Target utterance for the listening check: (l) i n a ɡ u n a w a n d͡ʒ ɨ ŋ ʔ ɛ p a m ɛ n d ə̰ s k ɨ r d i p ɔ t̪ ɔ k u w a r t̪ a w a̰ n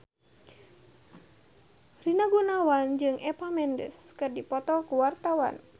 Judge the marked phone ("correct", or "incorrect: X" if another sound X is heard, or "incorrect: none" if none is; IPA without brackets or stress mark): incorrect: r